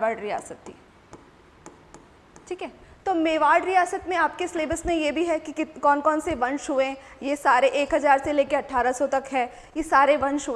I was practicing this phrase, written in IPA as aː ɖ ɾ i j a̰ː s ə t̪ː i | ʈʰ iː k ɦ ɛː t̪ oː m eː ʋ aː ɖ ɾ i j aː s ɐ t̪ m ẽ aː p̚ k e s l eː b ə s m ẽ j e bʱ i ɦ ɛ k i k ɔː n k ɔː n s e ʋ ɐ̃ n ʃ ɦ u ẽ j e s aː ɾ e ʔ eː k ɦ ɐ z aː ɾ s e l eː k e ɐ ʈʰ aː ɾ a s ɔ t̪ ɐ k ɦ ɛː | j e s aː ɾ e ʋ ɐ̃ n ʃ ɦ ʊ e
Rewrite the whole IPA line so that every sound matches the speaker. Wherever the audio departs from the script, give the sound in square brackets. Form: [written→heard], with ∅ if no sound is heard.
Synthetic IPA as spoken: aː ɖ ɾ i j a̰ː s ə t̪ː i | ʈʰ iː k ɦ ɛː t̪ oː m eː ʋ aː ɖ ɾ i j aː s [ɐ→ə] t̪ m ẽ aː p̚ k e s l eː b ə s m ẽ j e bʱ i ɦ ɛ k i k ɔː n k ɔː n s e ʋ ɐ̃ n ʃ ɦ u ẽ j e s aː ɾ e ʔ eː k ɦ ɐ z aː ɾ s e l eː k e ɐ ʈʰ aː ɾ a s ɔ t̪ ɐ k ɦ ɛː | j e s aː ɾ e ʋ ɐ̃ n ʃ ɦ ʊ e